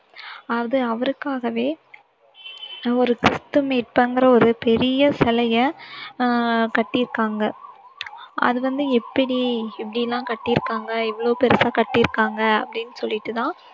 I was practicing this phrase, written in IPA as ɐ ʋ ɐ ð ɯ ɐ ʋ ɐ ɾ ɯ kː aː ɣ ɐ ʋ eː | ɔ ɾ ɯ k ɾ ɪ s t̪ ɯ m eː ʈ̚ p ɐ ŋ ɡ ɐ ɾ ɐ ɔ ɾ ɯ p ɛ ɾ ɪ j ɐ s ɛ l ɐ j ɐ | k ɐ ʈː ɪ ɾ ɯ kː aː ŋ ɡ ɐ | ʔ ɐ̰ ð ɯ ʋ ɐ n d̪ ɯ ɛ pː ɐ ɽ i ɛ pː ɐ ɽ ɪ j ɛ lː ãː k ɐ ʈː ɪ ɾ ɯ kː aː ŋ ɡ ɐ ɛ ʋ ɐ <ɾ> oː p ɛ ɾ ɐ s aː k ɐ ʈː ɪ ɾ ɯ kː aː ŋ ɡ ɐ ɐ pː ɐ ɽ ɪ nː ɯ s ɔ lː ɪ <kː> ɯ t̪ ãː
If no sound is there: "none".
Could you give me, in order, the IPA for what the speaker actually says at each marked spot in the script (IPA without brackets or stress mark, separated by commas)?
ɭ, ʈː